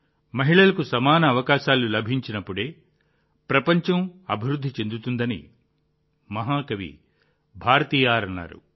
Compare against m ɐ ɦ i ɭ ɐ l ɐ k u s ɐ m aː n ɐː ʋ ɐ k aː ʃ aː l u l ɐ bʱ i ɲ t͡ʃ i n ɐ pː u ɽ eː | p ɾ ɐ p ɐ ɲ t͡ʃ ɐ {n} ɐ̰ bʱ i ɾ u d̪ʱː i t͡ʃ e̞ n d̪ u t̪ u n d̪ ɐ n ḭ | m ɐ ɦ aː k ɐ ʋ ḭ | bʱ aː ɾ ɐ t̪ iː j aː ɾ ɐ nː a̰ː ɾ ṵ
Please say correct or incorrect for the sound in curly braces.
incorrect